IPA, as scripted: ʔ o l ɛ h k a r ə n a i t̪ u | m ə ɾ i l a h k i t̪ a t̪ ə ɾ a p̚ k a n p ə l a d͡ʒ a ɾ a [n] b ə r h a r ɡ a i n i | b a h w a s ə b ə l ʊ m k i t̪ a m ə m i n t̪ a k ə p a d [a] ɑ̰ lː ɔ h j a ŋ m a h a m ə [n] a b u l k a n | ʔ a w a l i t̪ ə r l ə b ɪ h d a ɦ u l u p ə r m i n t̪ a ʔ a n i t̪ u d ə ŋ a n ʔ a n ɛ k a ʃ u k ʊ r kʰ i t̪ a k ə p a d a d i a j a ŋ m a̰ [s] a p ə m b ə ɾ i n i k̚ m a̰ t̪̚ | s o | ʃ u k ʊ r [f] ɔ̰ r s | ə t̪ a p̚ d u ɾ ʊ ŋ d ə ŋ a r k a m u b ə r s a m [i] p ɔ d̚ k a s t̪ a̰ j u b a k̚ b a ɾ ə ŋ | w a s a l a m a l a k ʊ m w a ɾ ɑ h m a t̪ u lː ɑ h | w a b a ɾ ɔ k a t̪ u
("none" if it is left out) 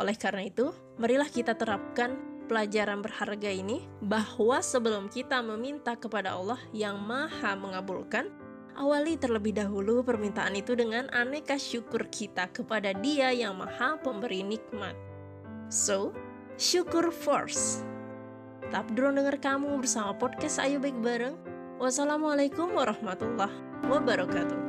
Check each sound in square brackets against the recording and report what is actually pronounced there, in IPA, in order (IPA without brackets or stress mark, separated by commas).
n, a, ŋ, h, f, a